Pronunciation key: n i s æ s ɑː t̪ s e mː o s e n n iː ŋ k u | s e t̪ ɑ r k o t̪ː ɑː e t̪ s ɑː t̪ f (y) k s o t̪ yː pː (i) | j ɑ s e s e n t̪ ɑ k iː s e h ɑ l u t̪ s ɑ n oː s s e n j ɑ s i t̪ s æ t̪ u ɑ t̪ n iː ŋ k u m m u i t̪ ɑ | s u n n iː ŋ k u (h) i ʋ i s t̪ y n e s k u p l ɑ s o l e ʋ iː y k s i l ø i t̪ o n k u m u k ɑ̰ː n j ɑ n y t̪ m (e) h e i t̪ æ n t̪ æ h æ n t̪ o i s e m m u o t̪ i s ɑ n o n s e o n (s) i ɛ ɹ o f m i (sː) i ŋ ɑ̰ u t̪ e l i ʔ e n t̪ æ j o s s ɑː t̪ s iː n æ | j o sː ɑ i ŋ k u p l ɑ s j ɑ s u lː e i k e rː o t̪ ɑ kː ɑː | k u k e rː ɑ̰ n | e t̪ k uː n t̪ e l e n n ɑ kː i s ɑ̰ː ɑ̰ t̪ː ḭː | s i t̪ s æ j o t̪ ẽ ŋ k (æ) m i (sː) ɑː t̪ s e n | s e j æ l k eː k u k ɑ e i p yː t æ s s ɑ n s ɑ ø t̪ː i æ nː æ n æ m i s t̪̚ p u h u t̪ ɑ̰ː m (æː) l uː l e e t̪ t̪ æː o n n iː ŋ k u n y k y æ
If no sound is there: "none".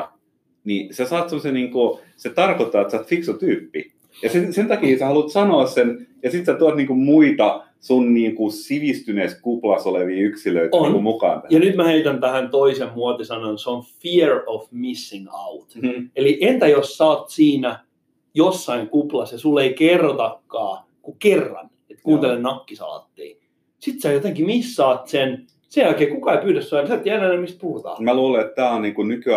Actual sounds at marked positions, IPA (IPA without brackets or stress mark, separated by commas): i, i, s, æ, f, sː, i, sː, æ